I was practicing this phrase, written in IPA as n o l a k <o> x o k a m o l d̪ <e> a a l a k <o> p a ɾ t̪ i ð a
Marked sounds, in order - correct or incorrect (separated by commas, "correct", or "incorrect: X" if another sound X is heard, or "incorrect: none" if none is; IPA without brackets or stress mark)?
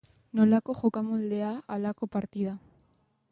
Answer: correct, correct, correct